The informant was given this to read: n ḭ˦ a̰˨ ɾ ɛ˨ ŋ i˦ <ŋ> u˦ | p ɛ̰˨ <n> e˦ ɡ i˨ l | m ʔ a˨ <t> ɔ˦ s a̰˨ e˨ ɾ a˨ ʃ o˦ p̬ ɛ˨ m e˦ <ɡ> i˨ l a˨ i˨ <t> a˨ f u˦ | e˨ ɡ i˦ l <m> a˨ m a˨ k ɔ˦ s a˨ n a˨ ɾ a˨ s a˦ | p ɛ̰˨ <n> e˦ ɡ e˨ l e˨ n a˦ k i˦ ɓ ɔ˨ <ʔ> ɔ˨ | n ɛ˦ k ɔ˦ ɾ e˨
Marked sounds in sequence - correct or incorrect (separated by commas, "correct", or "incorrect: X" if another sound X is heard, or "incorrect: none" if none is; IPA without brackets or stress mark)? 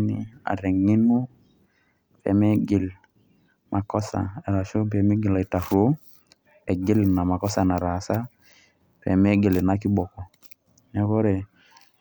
incorrect: n, incorrect: m, incorrect: k, correct, correct, incorrect: n, incorrect: m, incorrect: k